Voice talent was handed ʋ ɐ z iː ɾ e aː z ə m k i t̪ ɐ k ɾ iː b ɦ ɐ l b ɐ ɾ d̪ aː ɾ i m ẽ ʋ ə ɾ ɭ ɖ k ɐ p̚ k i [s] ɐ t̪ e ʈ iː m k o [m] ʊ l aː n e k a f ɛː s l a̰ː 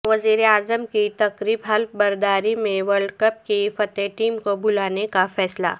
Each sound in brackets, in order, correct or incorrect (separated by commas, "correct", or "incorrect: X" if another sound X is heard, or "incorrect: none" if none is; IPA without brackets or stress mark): incorrect: f, incorrect: b